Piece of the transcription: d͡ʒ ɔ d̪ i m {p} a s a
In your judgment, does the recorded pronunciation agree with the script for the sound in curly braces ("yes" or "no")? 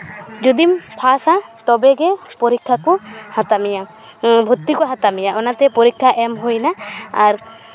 no